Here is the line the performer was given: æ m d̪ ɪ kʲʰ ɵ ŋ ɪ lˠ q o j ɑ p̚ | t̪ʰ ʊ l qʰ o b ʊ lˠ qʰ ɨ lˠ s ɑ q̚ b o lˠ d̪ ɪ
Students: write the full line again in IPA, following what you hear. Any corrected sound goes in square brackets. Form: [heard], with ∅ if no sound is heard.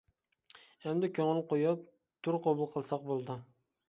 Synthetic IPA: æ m d̪ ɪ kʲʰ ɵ ŋ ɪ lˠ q o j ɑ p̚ | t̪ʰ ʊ [ɾ] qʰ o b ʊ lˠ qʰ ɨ lˠ s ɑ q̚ b o lˠ d̪ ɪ